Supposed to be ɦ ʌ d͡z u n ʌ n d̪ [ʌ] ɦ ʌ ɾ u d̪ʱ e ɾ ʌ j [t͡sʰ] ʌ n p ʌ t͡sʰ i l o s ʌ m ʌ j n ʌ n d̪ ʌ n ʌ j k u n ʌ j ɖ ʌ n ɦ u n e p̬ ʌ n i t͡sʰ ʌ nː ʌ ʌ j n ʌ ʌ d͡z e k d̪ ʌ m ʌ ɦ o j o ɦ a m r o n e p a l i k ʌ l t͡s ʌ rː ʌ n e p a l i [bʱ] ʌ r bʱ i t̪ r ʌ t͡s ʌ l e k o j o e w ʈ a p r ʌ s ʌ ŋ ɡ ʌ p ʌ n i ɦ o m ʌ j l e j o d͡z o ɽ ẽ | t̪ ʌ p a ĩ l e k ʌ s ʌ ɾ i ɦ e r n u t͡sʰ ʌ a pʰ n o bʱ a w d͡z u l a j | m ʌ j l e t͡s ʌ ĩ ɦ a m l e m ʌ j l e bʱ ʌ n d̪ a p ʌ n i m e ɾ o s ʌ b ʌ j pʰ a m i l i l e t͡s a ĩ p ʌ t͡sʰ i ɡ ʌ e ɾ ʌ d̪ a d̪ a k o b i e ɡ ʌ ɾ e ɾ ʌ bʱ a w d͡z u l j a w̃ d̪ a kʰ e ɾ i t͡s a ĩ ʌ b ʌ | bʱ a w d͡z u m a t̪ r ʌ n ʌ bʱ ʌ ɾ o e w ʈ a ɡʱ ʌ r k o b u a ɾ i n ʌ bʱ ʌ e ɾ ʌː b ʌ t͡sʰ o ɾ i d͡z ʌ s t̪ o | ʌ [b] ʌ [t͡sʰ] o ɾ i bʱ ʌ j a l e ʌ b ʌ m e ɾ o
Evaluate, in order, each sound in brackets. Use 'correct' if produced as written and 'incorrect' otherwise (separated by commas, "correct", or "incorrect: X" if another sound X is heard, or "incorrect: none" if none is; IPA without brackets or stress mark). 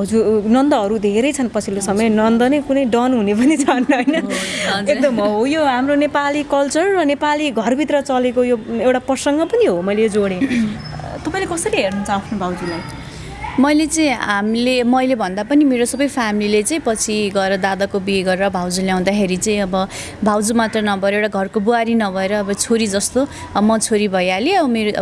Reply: correct, correct, incorrect: ɡʱ, incorrect: m, correct